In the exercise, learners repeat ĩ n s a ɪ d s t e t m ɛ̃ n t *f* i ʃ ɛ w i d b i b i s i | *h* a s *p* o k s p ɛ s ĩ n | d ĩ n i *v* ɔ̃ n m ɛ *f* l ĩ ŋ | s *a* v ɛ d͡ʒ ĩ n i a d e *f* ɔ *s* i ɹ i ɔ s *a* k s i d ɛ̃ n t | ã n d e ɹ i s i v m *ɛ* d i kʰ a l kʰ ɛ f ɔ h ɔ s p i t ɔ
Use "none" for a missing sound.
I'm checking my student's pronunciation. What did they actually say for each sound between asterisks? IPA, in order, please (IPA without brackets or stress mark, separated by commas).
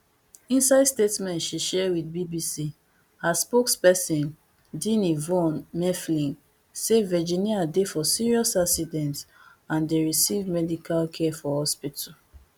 ʃ, h, p, v, f, e, f, s, a, ɛ